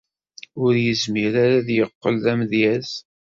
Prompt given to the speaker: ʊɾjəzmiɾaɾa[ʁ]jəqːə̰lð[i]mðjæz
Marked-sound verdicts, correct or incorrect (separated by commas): incorrect, incorrect